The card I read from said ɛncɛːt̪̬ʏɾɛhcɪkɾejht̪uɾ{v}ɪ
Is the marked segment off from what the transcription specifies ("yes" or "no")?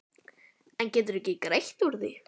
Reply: yes